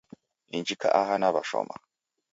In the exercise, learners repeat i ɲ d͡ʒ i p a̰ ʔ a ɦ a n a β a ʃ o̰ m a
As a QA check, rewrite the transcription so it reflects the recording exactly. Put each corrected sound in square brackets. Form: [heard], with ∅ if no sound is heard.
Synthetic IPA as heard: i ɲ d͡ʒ i [k] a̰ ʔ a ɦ a n a β a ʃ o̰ m a